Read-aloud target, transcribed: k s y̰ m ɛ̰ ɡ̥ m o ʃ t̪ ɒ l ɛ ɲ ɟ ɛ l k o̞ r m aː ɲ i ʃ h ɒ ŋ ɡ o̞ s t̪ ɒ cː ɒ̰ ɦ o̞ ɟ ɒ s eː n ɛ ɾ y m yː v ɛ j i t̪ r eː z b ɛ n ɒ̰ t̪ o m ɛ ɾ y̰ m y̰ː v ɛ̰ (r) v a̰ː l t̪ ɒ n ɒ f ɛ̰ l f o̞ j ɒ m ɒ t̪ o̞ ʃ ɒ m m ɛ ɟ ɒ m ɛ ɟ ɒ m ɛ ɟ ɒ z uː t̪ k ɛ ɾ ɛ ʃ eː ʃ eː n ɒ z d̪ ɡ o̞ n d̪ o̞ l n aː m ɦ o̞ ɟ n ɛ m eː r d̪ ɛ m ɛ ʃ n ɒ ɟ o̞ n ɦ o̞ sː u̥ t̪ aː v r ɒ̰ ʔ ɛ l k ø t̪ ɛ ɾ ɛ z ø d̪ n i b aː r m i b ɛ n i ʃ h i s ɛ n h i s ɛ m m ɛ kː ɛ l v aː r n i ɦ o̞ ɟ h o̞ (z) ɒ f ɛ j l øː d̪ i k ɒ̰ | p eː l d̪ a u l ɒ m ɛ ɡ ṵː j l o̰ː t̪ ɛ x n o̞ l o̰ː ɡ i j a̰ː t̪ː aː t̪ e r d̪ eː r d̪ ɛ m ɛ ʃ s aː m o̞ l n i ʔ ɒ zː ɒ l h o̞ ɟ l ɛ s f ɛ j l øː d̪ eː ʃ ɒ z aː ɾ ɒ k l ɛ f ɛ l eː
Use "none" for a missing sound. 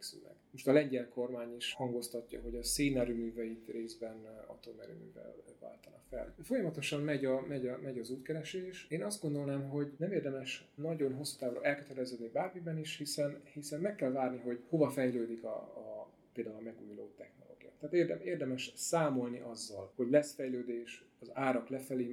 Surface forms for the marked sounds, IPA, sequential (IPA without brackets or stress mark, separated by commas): l, v